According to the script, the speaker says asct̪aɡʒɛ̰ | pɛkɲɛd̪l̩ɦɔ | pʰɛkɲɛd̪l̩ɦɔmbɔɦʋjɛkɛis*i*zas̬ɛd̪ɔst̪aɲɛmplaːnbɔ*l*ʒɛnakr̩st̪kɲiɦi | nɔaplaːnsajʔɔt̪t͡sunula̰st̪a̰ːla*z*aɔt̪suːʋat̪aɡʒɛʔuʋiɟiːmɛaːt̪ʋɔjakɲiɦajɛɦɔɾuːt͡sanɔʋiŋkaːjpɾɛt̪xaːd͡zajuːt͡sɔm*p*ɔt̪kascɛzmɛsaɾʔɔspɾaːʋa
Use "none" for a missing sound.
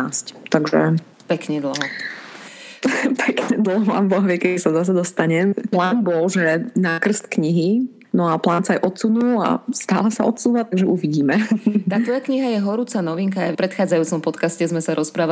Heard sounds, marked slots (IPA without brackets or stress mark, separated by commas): a, l, s, p